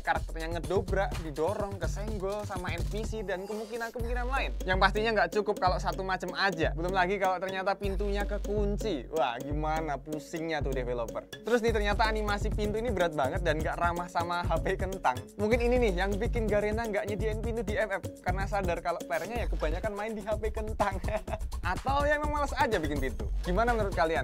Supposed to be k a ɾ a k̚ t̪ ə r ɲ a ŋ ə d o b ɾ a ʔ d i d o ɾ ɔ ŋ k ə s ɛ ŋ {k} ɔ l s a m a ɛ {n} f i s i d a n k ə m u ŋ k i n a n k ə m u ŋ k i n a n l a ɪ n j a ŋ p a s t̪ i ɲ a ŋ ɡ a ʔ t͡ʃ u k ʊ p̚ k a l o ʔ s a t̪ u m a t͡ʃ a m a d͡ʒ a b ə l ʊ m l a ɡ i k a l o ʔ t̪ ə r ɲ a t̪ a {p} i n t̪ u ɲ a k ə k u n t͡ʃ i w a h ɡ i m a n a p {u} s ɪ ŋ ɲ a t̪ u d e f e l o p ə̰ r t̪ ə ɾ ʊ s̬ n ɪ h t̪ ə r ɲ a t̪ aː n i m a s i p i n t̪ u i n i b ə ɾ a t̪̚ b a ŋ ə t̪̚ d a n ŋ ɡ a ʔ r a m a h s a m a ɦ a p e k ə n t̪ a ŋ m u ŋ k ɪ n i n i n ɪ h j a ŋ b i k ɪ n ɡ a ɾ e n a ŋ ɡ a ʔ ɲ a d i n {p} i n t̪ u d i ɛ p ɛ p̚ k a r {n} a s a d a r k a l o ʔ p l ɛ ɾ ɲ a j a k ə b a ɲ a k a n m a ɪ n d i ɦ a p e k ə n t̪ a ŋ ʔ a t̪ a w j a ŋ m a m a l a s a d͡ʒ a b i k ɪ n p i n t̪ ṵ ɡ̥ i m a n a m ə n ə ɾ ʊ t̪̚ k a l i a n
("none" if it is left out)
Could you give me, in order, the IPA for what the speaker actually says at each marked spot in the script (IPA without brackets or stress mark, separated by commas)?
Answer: ɡ, n, p, u, p, n